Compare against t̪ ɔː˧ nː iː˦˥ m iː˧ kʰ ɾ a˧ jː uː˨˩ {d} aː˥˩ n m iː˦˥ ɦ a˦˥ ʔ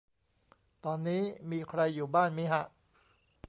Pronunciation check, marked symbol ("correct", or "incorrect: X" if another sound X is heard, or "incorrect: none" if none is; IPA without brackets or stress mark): incorrect: b